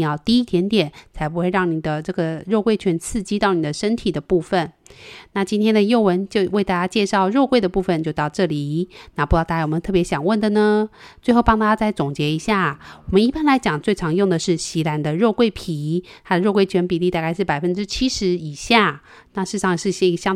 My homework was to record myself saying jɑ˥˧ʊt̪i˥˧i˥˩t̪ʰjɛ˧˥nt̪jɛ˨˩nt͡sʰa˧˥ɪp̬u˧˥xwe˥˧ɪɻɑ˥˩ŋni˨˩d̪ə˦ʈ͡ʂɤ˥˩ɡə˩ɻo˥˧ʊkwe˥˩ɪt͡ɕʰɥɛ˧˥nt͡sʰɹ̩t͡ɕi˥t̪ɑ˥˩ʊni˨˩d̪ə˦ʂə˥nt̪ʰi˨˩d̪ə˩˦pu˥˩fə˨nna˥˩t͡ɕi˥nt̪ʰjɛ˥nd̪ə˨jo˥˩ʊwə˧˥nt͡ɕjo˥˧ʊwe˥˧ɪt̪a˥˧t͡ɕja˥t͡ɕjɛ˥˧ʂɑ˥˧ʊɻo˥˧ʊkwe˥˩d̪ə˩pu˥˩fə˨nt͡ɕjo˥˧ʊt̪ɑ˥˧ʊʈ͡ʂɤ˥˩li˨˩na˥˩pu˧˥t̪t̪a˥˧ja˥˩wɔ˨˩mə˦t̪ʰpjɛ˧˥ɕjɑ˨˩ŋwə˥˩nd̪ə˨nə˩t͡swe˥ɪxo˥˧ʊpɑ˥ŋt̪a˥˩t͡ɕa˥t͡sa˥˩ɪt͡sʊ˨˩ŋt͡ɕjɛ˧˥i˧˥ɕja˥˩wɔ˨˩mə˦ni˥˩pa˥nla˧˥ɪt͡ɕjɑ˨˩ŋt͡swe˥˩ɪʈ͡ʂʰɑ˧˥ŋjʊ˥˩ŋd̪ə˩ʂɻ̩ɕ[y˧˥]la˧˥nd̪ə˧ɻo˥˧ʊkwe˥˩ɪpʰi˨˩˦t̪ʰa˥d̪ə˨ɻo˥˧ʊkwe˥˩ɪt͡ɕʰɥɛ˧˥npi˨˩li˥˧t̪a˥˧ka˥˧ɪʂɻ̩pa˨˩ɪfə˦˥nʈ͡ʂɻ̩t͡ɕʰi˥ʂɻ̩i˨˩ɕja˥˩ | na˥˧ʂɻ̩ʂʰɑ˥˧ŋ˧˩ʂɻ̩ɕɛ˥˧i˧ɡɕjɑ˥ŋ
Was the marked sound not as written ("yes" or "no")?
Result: yes